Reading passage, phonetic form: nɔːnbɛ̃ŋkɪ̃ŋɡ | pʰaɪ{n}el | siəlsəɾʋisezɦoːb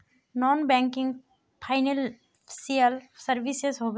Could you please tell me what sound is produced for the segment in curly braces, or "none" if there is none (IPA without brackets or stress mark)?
n